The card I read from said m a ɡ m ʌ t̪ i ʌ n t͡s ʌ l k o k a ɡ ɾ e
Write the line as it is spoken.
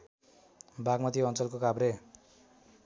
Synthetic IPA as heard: b a ɡ m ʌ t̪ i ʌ n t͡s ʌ l k o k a b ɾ e